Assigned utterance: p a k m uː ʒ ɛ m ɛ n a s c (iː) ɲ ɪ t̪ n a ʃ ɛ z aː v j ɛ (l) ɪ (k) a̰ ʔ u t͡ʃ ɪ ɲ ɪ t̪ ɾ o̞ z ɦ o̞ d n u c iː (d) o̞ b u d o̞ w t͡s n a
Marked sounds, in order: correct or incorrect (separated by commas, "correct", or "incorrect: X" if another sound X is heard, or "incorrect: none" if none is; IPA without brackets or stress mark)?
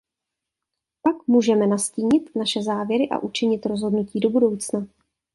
correct, incorrect: ɾ, incorrect: ʔ, correct